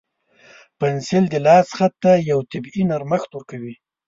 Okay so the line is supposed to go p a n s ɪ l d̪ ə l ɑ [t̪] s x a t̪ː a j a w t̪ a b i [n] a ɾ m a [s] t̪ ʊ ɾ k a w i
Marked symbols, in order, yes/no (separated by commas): no, yes, no